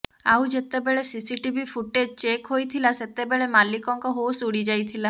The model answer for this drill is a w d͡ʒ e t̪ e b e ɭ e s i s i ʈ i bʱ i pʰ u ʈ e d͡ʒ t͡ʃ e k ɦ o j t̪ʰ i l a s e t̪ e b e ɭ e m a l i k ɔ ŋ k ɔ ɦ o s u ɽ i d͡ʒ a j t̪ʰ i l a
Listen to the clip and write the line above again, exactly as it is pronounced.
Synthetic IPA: a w d͡ʒ e t̪ e b e ɭ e s i s i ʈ i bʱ i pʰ u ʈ e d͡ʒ t͡ʃ e k ɦ o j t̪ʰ i l a s e t̪ e b e ɭ e m a l i k ɔ ŋ k ɔ ɦ o s u ɽ i d͡ʒ a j t̪ʰ i l a